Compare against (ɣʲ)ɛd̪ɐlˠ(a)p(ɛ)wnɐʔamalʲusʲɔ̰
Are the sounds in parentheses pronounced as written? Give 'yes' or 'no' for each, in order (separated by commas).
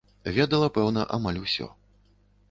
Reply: no, no, yes